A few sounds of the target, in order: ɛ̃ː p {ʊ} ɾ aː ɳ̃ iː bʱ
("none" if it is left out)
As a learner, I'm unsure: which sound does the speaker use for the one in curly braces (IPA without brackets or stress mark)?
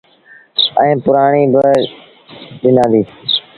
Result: ʊ